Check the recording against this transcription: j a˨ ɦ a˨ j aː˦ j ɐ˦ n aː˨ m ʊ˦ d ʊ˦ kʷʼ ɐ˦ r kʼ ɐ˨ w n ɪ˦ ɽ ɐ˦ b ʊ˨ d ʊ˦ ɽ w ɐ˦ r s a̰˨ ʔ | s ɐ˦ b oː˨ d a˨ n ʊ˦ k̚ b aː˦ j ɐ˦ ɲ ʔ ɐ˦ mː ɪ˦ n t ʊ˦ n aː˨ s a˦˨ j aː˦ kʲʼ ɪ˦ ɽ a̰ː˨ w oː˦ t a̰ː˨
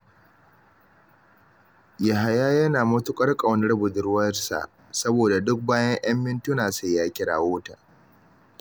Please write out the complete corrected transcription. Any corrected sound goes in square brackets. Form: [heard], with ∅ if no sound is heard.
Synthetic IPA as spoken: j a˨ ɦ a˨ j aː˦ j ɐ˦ n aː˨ m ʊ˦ [t] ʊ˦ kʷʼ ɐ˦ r kʼ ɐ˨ w n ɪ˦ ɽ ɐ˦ b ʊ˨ d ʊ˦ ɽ w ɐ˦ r s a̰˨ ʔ | s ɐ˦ b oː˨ d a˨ [d] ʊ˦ k̚ b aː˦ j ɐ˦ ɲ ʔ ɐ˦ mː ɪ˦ n t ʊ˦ n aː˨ s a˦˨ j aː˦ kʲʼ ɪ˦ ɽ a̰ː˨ w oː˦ t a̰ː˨